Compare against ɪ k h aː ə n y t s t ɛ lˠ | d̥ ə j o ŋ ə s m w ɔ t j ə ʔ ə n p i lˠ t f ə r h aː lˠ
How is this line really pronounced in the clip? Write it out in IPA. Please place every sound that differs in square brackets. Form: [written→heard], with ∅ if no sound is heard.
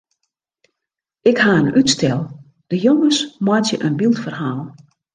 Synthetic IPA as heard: ɪ k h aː ə n y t s t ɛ lˠ | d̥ ə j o ŋ ə s m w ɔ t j ə ʔ ə n [p→b] i lˠ t f ə r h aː lˠ